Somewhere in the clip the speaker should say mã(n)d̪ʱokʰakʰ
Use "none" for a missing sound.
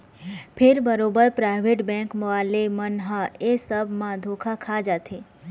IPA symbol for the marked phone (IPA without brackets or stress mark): none